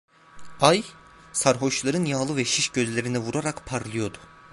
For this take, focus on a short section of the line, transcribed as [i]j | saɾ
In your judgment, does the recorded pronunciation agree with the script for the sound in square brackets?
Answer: no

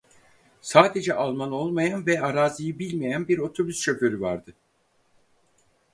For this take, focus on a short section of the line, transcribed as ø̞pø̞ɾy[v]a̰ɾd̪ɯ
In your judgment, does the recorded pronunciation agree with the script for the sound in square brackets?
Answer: yes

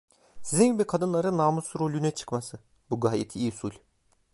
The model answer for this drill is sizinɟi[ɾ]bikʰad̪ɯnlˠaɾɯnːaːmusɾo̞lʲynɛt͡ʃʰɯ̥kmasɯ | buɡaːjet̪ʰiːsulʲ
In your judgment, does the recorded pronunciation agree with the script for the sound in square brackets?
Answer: no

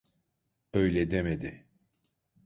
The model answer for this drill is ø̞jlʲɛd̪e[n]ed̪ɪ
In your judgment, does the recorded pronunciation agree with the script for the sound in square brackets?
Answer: no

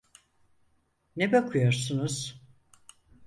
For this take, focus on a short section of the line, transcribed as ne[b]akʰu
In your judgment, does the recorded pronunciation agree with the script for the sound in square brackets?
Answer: yes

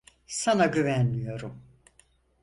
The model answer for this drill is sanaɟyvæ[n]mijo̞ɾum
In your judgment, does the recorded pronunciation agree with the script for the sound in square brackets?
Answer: yes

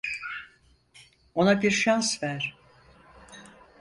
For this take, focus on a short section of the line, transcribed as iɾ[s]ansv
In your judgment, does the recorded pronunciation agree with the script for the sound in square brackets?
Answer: no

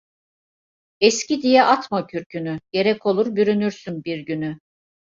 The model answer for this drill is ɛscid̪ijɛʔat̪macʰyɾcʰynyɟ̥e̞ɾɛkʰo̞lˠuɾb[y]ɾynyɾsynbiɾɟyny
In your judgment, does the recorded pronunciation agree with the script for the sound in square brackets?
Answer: yes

